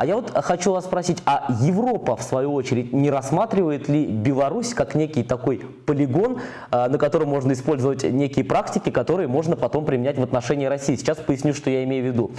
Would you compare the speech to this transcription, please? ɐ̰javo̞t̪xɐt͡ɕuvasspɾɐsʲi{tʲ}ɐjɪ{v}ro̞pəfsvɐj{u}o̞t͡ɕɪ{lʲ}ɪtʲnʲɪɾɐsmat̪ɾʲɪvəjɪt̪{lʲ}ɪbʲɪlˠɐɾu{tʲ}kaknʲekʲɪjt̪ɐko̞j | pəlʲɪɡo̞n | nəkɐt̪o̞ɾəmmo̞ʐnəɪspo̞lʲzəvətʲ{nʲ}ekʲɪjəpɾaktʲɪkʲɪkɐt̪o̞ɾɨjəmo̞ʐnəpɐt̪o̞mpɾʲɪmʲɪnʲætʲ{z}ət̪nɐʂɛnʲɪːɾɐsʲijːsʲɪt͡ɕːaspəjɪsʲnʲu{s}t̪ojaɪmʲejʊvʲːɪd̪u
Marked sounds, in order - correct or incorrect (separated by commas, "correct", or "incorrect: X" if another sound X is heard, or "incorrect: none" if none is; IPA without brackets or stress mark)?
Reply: correct, correct, correct, incorrect: ɾʲ, correct, incorrect: sʲ, correct, incorrect: v, incorrect: ʂ